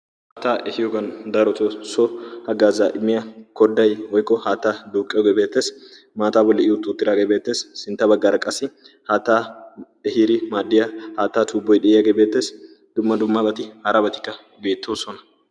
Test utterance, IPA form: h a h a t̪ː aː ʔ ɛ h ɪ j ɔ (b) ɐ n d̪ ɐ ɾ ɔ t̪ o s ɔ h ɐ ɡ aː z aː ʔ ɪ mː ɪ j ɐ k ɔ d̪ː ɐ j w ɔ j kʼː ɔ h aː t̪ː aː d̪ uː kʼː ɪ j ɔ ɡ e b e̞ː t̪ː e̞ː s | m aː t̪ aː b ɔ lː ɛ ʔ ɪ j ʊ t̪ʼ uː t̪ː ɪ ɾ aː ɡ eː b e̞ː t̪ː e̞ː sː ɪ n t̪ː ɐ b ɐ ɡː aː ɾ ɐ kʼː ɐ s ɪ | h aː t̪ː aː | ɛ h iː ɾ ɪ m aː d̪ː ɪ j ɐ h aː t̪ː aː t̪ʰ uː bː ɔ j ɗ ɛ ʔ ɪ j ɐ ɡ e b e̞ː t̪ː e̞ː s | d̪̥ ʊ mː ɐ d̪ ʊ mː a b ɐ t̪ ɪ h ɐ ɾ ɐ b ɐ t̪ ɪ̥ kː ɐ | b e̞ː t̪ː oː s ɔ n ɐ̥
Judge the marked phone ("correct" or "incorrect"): incorrect